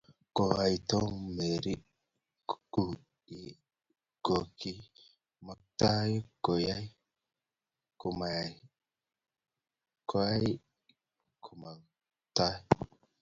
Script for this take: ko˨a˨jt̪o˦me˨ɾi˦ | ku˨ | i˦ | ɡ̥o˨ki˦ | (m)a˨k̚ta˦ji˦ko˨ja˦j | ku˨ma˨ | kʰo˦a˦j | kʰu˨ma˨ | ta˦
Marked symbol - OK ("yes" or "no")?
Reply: yes